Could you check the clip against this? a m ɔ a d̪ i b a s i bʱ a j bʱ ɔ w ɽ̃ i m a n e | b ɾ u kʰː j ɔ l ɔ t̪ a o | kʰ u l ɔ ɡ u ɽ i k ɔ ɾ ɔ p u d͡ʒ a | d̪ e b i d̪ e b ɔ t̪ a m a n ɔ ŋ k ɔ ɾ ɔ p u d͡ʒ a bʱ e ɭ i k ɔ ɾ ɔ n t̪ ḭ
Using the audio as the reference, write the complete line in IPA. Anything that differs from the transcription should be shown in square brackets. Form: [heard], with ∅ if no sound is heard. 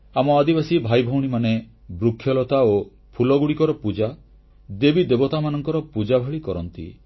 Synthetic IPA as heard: a m ɔ a d̪ i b a s i bʱ a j bʱ ɔ w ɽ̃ i m a n e | b ɾ u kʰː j ɔ l ɔ t̪ a o | [pʰ] u l ɔ ɡ u ɽ i k ɔ ɾ ɔ p u d͡ʒ a | d̪ e b i d̪ e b ɔ t̪ a m a n ɔ ŋ k ɔ ɾ ɔ p u d͡ʒ a bʱ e ɭ i k ɔ ɾ ɔ n t̪ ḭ